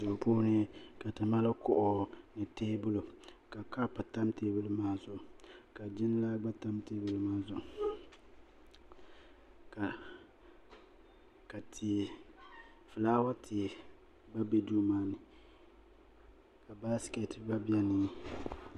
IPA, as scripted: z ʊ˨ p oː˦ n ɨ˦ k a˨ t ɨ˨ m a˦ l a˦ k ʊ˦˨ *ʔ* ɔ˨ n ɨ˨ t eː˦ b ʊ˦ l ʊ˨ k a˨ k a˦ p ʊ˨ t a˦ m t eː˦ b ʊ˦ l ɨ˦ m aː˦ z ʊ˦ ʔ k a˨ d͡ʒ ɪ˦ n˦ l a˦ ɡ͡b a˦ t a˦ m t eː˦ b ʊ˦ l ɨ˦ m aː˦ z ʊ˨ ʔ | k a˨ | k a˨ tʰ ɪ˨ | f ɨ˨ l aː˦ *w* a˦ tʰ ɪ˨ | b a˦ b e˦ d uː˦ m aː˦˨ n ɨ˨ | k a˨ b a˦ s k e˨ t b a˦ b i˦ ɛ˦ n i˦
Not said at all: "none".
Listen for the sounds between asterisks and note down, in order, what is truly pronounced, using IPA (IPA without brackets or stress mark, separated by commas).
ʔ, w